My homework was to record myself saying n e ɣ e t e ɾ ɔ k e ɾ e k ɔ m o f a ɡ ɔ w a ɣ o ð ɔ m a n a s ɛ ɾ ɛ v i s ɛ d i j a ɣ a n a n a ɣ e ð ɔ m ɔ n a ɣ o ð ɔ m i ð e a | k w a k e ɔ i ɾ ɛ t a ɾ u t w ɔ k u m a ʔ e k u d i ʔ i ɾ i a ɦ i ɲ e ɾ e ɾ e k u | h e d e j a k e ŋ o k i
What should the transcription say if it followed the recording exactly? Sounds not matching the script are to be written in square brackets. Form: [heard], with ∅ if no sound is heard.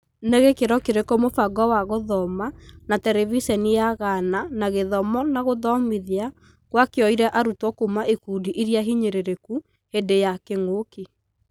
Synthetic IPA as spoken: n e ɣ e [k] e ɾ ɔ k e ɾ e k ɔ m o f a ɡ ɔ w a ɣ o ð ɔ m a n a [t] ɛ ɾ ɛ v i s ɛ [n] i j a ɣ a n a n a ɣ e ð ɔ m ɔ n a ɣ o ð ɔ m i ð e a | k w a k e ɔ i ɾ ɛ [ʔ] a ɾ u t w ɔ k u m a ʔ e k u d i ʔ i ɾ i a ɦ i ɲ e ɾ e ɾ e k u | h e d e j a k e ŋ o k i